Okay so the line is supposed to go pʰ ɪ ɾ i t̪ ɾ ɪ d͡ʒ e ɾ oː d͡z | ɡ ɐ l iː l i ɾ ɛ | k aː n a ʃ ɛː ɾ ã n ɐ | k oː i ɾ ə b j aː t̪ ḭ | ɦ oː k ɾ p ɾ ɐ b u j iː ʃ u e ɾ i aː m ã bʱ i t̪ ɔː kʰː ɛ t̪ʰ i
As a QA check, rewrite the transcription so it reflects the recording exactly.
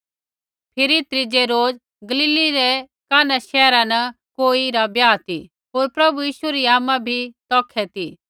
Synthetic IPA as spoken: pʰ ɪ ɾ i t̪ ɾ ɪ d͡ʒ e ɾ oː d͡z | ɡ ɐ l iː l i ɾ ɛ | k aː n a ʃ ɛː ɾ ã n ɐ | k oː i ɾ a b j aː t̪ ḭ | ɦ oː ɾ p ɾ ɐ b u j iː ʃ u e ɾ i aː m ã bʱ i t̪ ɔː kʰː ɛ t̪ i